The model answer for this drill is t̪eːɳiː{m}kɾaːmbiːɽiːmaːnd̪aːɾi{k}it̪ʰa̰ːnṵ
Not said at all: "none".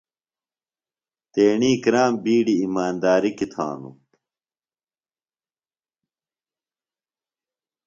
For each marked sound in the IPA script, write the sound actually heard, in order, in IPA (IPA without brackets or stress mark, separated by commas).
none, k